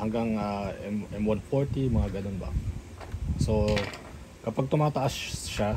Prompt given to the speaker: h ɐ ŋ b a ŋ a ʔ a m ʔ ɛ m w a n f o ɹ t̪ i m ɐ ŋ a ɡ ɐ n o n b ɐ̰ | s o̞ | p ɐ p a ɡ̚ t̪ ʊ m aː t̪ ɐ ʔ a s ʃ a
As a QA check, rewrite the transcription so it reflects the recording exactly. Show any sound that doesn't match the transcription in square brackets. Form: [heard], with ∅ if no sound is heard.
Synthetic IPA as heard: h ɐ ŋ [ɡ] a ŋ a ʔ [ɛ] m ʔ ɛ m w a n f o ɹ t̪ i m ɐ ŋ a ɡ ɐ n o n b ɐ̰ | s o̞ | [k] ɐ p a ɡ̚ t̪ ʊ m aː t̪ ɐ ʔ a s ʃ a

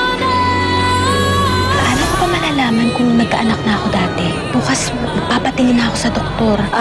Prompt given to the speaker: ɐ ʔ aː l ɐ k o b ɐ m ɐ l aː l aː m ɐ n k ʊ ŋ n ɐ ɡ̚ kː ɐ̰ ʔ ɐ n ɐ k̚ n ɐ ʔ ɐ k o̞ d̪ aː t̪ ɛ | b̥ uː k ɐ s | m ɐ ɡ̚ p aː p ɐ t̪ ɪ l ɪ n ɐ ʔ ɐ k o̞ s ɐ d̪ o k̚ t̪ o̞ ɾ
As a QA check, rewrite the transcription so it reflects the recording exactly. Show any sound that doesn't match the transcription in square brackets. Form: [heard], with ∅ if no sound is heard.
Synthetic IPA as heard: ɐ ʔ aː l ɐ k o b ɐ m ɐ l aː l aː m ɐ n k ʊ ŋ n ɐ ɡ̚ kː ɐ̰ ʔ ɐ n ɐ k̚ n ɐ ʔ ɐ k o̞ d̪ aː t̪ ɛ | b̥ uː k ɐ s | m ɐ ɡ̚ p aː p ɐ t̪ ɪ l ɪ n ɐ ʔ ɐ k o̞ s ɐ d̪ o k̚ t̪ o̞ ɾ

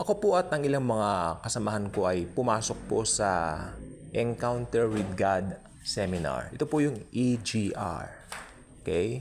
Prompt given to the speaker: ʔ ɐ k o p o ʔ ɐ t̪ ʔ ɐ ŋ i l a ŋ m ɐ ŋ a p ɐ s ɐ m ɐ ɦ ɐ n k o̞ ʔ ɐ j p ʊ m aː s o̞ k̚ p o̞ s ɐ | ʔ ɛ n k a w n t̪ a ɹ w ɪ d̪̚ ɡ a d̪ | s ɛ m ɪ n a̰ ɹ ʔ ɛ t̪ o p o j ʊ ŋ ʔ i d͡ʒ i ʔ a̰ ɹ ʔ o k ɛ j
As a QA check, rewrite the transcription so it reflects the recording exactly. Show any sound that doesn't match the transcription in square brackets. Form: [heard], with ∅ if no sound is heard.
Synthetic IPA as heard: ʔ ɐ k o p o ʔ ɐ t̪ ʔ ɐ ŋ [ɪ] l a ŋ m ɐ ŋ a [k] ɐ s ɐ m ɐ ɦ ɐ n k o̞ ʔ ɐ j p ʊ m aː s o̞ k̚ p o̞ s ɐ | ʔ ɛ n k a w n t̪ [ɛ] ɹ w ɪ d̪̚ ɡ a d̪ | s ɛ m ɪ n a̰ ɹ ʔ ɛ t̪ o p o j ʊ ŋ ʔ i d͡ʒ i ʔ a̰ ɹ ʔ o k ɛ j

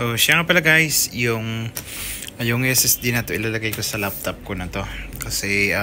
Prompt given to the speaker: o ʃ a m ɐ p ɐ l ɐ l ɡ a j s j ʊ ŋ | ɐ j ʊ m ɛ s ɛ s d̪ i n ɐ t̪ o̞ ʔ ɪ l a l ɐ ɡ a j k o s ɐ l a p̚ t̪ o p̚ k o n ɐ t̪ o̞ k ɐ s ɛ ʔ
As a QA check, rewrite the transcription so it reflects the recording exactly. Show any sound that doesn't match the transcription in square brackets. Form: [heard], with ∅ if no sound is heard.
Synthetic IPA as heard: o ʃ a [ŋ] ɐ p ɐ l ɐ [∅] ɡ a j s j ʊ ŋ | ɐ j ʊ [ŋ] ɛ s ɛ s d̪ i n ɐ t̪ o̞ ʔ ɪ l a l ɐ ɡ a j k o s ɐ l a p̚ t̪ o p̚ k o n ɐ t̪ o̞ k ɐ s ɛ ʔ

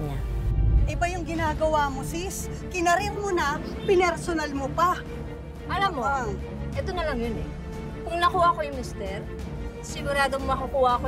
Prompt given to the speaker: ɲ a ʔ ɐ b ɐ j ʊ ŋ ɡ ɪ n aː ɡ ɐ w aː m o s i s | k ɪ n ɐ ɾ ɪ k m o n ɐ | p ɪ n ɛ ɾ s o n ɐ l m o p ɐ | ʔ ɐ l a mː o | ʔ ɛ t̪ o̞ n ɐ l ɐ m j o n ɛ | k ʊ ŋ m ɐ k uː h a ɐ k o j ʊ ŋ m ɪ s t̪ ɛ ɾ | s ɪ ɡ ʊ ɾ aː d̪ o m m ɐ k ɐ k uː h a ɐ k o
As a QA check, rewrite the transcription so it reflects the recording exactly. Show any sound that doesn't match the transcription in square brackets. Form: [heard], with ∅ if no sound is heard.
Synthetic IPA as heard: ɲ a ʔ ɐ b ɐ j ʊ ŋ ɡ ɪ n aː ɡ ɐ w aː m o s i s | k ɪ n ɐ ɾ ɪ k m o n ɐ | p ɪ n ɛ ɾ s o n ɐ l m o p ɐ | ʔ ɐ l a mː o | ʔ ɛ t̪ o̞ n ɐ l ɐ [ŋ] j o n ɛ | k ʊ ŋ [n] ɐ k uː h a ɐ k o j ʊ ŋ m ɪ s t̪ ɛ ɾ | s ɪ ɡ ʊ ɾ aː d̪ o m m ɐ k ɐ k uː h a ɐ k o

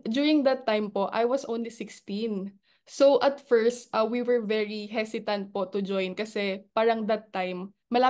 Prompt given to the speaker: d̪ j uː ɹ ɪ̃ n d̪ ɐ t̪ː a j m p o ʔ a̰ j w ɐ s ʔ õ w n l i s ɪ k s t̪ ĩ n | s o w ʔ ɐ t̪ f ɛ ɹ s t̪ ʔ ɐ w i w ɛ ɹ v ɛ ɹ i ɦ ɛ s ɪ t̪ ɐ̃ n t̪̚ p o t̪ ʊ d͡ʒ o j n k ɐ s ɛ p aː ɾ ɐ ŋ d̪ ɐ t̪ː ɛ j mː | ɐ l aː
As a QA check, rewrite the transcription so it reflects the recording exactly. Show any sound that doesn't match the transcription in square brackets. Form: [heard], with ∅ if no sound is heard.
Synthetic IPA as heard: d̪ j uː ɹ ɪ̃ [ŋ] d̪ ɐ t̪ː a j m p o ʔ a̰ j w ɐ s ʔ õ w n l i s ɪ k s t̪ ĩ n | s o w ʔ ɐ t̪ f ɛ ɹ s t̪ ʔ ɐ w i w ɛ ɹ v ɛ ɹ i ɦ ɛ s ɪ t̪ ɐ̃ n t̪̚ p o t̪ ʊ d͡ʒ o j n k ɐ s ɛ p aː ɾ ɐ ŋ d̪ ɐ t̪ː [a] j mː | ɐ l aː

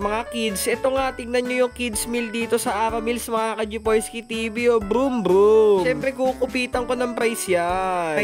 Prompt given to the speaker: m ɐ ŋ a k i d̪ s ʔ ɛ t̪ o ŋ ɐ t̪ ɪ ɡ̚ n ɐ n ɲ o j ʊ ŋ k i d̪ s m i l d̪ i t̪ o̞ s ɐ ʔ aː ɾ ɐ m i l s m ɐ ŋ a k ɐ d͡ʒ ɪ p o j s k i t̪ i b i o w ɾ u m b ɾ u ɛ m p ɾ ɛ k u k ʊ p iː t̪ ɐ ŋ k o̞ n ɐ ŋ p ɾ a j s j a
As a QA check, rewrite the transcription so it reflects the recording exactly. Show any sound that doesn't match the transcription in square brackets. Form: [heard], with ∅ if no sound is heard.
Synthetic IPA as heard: m ɐ ŋ a k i d̪ s ʔ ɛ t̪ o ŋ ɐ t̪ ɪ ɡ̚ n ɐ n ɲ o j ʊ ŋ k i d̪ s m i l d̪ [iː] t̪ o̞ s ɐ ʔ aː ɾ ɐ m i l s m ɐ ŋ a k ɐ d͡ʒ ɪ p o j s k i t̪ i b i o [b] ɾ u m b ɾ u ɛ m p ɾ ɛ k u k ʊ p iː t̪ ɐ ŋ k o̞ n ɐ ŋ p ɾ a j s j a

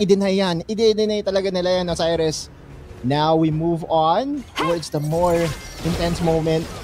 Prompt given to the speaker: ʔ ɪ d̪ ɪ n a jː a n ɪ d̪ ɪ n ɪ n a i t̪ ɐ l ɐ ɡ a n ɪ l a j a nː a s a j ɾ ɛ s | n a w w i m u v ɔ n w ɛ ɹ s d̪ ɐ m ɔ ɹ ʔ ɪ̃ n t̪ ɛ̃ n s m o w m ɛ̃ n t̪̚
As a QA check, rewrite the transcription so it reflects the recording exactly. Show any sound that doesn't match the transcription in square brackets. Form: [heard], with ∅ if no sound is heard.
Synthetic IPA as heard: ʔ ɪ d̪ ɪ n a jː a n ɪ d̪ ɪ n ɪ n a [j] t̪ ɐ l ɐ ɡ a n ɪ l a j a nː [ɐ] s a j ɾ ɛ s | n a w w i m u v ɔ n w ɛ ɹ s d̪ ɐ m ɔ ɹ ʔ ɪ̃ n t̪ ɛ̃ n s m o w m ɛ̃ n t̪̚

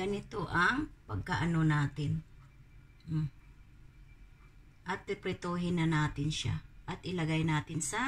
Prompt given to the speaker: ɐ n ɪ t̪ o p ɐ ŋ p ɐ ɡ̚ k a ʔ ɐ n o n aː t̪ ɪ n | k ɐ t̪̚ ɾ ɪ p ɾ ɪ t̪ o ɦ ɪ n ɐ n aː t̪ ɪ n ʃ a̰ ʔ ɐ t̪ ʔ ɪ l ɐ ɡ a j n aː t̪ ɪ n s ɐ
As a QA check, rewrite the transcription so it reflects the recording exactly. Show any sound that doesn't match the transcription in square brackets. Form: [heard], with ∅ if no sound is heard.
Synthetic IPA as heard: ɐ n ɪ t̪ o [ʔ] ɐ ŋ p ɐ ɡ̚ k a ʔ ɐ n o n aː t̪ ɪ n | [ʔ] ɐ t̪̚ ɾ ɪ p ɾ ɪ t̪ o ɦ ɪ n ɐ n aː t̪ ɪ n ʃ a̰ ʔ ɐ t̪ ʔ ɪ l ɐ ɡ a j n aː t̪ ɪ n s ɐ

